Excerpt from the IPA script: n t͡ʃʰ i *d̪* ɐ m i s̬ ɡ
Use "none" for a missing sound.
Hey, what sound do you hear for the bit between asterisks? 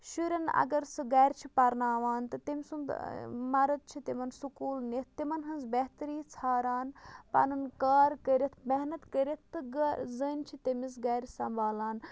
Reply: t̪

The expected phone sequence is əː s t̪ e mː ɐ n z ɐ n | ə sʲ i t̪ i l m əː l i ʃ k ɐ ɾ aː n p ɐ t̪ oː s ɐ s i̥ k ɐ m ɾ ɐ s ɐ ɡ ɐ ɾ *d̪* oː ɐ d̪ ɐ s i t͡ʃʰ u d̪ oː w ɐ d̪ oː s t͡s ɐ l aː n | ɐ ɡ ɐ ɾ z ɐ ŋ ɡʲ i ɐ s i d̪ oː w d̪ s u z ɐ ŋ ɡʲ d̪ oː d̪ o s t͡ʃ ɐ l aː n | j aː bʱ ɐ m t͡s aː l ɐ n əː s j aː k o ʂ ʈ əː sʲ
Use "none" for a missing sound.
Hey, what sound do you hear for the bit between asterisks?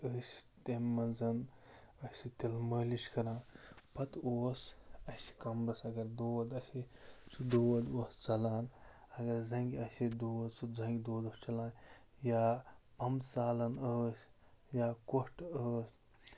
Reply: d̪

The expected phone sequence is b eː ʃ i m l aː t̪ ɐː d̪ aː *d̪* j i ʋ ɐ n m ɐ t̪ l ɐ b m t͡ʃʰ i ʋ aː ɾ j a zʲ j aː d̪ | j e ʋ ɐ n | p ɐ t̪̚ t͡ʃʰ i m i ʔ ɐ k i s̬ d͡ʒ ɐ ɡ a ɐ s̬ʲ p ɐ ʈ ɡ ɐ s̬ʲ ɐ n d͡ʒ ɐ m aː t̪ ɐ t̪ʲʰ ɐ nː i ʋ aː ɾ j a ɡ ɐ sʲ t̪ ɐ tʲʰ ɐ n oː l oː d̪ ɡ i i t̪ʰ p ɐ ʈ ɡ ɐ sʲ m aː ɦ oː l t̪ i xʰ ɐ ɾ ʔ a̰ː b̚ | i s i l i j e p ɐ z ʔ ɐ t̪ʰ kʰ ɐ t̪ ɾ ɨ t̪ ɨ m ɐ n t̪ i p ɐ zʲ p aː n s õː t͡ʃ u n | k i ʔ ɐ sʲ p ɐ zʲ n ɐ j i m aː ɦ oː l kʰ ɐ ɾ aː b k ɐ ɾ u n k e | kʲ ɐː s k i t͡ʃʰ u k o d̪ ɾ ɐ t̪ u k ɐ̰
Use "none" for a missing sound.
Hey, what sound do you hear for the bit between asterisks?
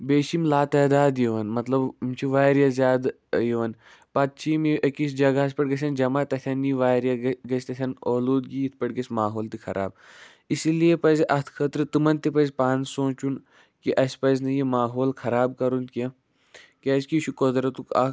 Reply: d̪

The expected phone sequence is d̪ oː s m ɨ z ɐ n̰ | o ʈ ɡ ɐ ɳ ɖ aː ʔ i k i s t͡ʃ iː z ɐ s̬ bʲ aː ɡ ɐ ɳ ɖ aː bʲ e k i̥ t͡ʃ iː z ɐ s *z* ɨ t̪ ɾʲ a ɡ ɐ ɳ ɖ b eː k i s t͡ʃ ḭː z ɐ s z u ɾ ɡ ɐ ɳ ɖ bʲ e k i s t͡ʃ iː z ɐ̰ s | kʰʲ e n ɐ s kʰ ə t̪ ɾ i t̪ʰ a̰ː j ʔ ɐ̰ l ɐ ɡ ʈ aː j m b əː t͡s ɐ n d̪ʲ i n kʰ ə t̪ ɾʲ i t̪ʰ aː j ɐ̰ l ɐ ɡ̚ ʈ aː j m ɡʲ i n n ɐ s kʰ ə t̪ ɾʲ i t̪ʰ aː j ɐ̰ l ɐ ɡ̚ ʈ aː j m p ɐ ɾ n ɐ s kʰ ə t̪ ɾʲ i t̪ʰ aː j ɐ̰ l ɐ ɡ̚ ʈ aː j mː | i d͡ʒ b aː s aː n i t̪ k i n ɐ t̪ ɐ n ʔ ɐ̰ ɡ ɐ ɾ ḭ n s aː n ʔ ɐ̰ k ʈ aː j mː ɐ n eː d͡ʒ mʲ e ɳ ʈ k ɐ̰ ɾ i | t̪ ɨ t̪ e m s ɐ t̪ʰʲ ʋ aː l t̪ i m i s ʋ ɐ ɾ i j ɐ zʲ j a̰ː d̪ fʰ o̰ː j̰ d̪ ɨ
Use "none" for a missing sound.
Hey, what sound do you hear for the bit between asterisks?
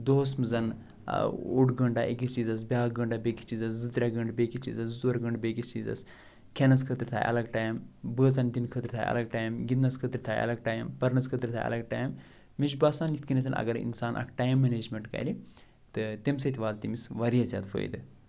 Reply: z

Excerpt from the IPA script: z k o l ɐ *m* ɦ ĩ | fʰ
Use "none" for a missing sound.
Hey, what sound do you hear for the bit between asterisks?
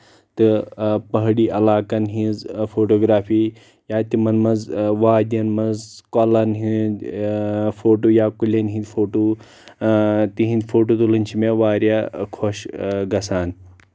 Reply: n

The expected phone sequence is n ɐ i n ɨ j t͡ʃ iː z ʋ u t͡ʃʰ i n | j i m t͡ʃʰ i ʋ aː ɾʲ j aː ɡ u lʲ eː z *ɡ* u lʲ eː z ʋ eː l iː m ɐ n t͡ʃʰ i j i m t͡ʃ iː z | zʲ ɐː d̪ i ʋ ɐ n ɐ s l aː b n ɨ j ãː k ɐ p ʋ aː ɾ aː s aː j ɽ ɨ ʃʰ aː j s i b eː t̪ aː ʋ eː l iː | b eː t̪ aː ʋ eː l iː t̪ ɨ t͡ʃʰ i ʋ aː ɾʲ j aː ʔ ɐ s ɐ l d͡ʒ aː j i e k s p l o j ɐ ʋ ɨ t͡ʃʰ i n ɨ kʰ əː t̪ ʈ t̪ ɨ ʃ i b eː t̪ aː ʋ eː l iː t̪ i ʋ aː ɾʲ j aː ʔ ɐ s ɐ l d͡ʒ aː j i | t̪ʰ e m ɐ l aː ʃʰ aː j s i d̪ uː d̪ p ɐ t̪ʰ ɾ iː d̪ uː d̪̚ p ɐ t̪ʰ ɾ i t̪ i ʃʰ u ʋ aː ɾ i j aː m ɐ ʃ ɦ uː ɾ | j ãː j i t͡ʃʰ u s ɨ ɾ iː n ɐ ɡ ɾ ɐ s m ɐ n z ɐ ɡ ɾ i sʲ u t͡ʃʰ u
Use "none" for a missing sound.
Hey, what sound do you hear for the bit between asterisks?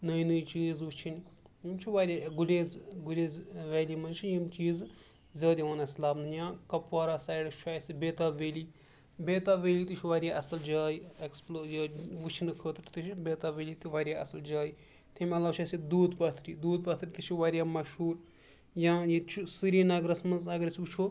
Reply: ɡ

